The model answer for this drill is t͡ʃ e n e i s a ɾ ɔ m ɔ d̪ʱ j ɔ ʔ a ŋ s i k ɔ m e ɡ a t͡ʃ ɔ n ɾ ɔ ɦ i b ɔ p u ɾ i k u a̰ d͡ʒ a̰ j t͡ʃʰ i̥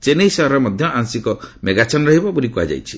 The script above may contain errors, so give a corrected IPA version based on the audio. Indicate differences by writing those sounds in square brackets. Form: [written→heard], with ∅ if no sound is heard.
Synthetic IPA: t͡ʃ e n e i s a ɾ ɔ m ɔ d̪ʱ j ɔ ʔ a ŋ s i k ɔ m e ɡ a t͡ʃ ɔ n ɾ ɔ ɦ i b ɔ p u ɾ i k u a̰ d͡ʒ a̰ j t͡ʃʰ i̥